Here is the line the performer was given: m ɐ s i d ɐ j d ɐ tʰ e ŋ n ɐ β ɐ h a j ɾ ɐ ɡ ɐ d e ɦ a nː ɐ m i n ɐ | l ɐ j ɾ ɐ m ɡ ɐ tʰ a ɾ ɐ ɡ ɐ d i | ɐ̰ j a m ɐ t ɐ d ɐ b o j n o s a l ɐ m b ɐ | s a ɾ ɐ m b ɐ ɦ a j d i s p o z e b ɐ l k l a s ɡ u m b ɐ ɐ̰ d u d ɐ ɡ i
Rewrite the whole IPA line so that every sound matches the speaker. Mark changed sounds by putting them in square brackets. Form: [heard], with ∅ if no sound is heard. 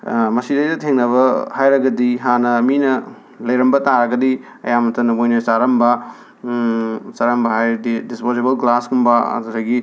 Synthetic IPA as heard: m ɐ s i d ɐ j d ɐ tʰ e ŋ n ɐ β ɐ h a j ɾ ɐ ɡ ɐ d [i] ɦ a [n] ɐ m i n ɐ | l ɐ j ɾ ɐ m [b] ɐ [t] a ɾ ɐ ɡ ɐ d i | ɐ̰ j a m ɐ t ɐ [n] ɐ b o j n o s a [ɾ] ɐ m b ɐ | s a ɾ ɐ m b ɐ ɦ a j d i s p o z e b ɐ l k l a s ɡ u m b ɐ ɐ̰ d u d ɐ ɡ i